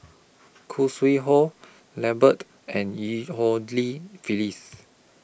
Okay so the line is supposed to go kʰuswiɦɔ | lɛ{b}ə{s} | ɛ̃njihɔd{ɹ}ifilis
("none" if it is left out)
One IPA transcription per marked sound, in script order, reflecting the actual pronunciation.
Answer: b, t, l

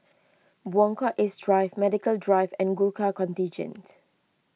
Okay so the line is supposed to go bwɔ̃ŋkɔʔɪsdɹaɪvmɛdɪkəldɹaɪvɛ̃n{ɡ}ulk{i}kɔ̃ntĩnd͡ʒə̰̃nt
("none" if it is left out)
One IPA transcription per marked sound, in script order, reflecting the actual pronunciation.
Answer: ɡ, a

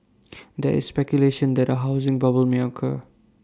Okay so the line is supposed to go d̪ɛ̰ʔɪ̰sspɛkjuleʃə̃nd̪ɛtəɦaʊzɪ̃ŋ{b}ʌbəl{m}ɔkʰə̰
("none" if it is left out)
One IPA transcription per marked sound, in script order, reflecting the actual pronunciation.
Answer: b, m

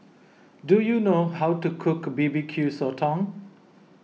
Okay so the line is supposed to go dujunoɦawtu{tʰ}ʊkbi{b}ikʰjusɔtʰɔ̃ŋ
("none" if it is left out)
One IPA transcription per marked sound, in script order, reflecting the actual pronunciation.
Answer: kʰ, b

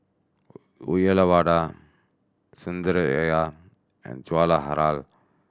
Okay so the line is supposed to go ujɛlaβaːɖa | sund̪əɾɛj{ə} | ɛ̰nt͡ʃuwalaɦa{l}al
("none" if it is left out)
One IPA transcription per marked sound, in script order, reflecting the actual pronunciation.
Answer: a, ɾ

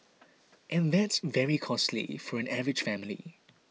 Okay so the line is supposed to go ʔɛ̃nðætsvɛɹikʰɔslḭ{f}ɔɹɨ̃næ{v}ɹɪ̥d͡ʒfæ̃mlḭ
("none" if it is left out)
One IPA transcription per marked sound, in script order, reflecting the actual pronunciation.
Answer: f, v

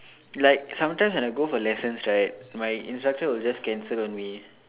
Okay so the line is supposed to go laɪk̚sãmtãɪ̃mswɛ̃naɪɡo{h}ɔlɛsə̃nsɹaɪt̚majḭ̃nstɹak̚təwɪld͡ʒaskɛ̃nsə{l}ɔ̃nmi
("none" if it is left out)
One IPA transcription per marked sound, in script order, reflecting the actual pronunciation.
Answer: f, l

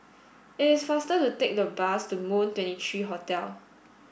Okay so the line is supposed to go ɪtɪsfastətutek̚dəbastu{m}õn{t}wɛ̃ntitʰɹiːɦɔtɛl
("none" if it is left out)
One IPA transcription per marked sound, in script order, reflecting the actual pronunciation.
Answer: m, t

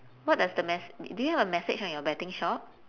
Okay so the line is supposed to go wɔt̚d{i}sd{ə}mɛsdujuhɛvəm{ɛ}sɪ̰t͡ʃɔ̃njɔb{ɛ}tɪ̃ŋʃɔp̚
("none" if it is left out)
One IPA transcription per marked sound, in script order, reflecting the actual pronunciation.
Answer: a, ə, ɛ, ɛ

